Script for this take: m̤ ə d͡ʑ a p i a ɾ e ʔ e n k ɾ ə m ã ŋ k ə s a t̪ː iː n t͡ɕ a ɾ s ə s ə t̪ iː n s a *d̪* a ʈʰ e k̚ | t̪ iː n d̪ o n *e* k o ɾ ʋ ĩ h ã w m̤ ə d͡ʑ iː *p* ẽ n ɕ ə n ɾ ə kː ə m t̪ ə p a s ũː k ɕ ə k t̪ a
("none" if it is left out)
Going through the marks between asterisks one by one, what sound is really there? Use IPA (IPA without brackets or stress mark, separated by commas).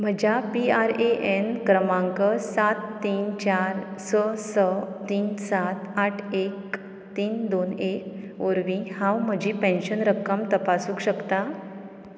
t̪, e, p